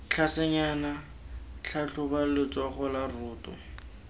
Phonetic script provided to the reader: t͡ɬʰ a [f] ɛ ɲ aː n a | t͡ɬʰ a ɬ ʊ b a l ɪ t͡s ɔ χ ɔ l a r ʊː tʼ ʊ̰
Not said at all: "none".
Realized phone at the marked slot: s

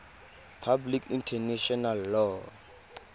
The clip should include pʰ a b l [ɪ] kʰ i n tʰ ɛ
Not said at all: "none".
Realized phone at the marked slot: i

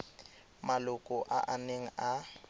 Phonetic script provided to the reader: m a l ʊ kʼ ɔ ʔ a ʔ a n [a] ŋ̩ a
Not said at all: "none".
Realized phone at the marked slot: e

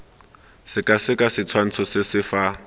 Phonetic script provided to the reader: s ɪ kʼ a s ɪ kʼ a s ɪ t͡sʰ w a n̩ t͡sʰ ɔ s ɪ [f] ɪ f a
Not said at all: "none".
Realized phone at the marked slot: s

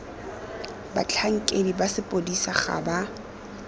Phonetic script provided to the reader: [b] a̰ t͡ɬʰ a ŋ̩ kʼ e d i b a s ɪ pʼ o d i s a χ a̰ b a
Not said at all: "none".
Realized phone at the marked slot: b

